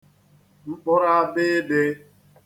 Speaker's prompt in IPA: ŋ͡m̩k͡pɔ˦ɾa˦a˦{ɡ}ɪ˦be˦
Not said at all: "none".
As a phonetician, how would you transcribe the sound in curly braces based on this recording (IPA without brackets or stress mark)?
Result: b